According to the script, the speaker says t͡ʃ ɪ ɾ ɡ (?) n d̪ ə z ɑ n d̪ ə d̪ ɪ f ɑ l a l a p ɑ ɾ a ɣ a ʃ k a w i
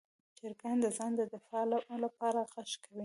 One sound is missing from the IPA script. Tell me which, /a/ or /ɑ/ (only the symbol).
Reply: a